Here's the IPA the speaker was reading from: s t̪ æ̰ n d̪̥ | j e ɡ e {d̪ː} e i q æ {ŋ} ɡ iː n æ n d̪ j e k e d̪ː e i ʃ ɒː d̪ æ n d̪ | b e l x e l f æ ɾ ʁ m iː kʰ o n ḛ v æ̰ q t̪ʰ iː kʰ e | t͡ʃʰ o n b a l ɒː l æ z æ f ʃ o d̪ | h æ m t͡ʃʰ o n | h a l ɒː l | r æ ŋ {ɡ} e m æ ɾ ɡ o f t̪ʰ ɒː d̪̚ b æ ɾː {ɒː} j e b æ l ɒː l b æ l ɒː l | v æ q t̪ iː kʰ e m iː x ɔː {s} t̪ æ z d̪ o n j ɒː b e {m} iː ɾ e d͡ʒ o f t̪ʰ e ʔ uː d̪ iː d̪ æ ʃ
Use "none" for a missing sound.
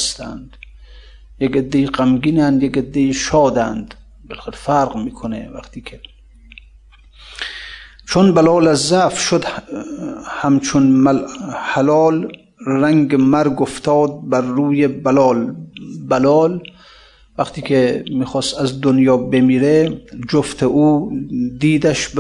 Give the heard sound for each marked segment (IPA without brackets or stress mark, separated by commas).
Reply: d̪ː, m, ɡ, uː, s, m